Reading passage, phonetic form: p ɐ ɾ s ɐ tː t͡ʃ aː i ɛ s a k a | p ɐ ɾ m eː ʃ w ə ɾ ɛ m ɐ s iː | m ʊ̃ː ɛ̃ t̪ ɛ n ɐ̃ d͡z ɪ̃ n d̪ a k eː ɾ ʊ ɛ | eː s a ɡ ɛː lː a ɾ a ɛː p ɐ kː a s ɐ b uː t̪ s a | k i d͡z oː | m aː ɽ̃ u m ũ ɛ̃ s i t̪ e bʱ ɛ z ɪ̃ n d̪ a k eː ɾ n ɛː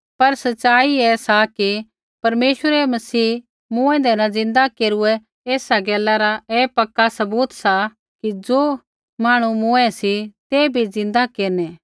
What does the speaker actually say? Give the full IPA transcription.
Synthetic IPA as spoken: p ɐ ɾ s ɐ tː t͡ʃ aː i ɛ s a k i | p ɐ ɾ m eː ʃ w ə ɾ ɛ m ɐ s iː | m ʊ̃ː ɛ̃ d̪ ɛ n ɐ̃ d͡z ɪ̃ n d̪ a k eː ɾ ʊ ɛ | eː s a ɡ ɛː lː a ɾ a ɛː p ɐ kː a s ɐ b uː t̪ s a | k i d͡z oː | m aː ɽ̃ u m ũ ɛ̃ s i t̪ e bʱ i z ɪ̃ n d̪ a k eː ɾ n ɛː